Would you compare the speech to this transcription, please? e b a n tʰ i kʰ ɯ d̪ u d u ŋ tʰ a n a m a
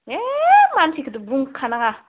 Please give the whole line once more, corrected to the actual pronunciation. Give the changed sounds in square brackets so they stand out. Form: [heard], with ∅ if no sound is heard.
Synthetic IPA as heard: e [m] a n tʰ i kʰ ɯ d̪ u [b] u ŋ [kʰ] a n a [ŋ] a